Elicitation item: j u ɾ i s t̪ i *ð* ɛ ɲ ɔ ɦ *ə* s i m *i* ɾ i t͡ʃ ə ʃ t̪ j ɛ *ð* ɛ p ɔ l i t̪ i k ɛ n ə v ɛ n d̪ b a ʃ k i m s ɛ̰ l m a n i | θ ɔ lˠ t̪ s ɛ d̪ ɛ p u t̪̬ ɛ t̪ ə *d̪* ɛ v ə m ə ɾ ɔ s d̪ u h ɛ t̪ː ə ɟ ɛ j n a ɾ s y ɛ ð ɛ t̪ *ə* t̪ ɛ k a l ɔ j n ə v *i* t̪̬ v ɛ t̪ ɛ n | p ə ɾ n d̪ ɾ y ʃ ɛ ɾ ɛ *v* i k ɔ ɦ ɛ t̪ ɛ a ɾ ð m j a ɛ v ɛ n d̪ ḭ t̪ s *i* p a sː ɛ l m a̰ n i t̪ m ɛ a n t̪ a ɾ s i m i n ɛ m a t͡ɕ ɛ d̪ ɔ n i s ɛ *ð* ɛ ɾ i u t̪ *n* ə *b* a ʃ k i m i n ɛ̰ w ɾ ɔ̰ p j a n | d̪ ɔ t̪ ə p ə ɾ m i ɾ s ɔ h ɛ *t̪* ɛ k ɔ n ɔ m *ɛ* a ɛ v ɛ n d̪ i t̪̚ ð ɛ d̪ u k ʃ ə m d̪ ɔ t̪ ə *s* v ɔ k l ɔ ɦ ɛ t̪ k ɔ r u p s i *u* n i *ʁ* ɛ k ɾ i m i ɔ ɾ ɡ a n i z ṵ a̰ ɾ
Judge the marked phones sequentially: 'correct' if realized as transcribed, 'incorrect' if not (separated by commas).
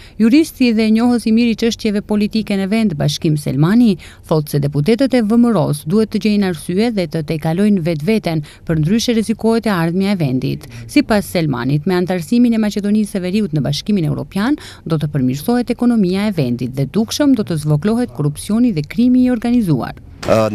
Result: correct, correct, correct, incorrect, incorrect, correct, incorrect, incorrect, correct, incorrect, correct, correct, correct, incorrect, incorrect, incorrect, incorrect